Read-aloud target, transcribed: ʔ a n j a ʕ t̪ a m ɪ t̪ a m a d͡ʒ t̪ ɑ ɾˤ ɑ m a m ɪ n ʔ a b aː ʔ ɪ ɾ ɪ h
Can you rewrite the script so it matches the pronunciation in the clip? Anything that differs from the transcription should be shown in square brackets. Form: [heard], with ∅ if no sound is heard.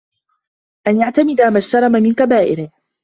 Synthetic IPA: ʔ a n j a ʕ t̪ a m ɪ [d̪] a m a d͡ʒ t̪ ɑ ɾˤ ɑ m a m ɪ n [k] a b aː ʔ ɪ ɾ ɪ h